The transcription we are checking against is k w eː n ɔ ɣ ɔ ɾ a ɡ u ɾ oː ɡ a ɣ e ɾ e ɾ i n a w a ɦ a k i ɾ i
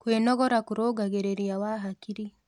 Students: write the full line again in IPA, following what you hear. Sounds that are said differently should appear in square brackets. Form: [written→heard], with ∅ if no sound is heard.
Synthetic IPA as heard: k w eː n ɔ ɣ ɔ ɾ a [ɡ→k] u ɾ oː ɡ a ɣ e ɾ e ɾ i [n→∅] a w a ɦ a k i ɾ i